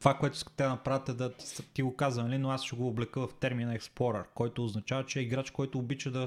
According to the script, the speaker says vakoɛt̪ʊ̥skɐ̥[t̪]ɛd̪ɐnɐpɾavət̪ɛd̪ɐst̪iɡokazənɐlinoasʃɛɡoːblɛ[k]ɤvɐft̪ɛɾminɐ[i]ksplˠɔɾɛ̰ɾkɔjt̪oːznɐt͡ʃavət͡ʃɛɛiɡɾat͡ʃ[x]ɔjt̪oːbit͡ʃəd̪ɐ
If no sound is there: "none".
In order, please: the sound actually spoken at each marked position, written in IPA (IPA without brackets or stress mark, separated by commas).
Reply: t̪, k, ɛ, k